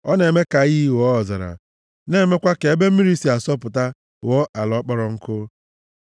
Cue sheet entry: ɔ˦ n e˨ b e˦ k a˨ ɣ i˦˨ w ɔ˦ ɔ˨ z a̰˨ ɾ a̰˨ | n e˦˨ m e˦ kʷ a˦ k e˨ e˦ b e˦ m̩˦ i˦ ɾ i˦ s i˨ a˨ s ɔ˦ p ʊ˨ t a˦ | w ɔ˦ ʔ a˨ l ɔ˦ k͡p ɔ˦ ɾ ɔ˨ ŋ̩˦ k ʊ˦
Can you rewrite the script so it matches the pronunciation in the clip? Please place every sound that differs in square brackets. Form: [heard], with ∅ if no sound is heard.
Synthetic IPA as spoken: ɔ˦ n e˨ [m] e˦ k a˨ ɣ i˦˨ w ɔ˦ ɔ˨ z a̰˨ ɾ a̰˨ | n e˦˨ m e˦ kʷ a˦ k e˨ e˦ b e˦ m̩˦ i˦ ɾ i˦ s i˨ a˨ s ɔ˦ p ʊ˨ t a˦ | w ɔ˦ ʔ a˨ l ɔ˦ k͡p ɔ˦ ɾ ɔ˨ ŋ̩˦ k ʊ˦